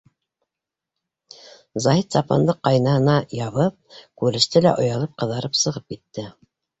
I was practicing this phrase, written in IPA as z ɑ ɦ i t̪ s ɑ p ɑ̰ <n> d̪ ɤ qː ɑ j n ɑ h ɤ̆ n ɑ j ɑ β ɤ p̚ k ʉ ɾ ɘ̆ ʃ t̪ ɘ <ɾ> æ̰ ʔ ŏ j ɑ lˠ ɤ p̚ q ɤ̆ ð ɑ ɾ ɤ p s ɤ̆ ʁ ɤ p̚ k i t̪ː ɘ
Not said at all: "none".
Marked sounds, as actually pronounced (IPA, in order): n, l

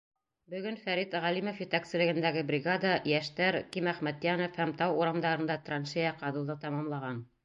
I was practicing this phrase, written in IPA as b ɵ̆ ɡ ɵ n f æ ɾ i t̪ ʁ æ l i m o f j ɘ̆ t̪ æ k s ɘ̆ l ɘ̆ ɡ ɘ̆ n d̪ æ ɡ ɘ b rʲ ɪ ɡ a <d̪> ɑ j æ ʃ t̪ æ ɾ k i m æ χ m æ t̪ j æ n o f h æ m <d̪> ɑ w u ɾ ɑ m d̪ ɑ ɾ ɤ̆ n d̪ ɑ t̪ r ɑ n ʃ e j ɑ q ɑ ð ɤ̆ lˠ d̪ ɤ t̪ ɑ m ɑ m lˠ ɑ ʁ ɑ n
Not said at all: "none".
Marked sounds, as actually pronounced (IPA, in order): d̪, t̪

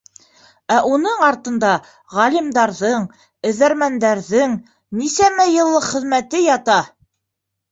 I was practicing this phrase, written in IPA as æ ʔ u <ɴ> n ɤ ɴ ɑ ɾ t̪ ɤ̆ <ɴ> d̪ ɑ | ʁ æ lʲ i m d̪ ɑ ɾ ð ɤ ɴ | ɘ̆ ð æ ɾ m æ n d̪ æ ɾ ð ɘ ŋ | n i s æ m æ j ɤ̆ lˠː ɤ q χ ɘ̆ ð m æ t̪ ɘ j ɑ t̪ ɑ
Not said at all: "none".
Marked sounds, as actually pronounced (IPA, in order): none, n

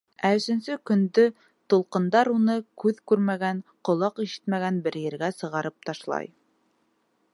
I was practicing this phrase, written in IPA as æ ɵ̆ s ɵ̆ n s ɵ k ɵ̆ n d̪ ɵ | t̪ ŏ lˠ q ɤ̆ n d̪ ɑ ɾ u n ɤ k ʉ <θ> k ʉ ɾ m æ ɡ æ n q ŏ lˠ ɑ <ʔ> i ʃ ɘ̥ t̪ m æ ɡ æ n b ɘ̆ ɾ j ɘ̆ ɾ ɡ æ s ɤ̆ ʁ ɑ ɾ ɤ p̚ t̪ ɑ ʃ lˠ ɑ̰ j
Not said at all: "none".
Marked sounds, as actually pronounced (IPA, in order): ð, q

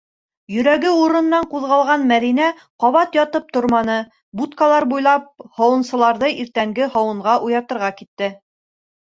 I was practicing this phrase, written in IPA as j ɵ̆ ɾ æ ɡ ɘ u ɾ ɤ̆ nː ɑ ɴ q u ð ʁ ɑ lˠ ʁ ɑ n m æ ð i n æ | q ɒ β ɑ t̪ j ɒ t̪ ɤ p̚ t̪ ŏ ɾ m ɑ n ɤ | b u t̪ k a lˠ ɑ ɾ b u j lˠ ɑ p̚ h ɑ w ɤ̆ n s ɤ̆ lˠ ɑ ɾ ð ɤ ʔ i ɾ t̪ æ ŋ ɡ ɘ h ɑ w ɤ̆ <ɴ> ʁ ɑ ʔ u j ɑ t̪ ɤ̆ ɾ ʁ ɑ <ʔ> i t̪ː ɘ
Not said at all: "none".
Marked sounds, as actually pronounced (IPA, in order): ɴ, k

